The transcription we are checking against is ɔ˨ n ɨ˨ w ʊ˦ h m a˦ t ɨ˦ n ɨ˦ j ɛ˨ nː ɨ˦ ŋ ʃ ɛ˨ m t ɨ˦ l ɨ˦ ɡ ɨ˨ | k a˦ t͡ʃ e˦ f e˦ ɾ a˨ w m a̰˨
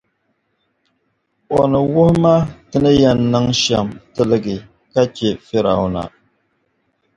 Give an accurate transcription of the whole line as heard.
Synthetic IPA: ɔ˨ n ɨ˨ w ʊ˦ h m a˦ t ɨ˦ n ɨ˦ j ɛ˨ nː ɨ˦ ŋ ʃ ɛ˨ m t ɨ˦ l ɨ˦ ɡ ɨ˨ | k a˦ t͡ʃ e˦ f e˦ ɾ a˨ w n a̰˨